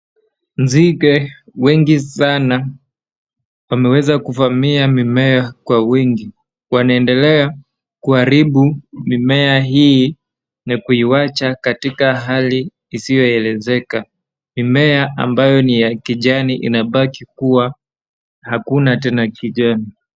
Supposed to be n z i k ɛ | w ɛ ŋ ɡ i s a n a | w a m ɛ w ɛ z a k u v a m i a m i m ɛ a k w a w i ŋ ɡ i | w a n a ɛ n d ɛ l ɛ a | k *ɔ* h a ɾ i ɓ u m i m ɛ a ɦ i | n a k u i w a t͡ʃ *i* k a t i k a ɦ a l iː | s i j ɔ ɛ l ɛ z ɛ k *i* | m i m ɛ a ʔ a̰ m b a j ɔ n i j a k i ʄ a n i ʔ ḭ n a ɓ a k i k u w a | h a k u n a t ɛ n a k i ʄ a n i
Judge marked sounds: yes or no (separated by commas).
no, no, no